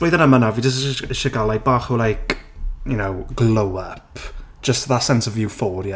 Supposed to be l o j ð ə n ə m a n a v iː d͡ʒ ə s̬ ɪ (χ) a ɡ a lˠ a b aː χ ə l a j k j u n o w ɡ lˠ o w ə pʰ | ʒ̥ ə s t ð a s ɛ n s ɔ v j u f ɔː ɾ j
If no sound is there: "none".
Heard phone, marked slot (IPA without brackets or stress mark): ʃ